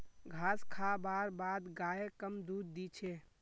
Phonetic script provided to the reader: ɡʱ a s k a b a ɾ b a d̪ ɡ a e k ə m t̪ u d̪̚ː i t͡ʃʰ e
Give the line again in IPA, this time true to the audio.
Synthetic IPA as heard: ɡʱ a s kʰ a b a ɾ b a d̪ ɡ a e k ə m d̪ u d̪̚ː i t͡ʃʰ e